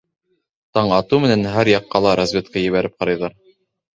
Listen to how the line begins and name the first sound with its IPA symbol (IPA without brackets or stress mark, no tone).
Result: t̪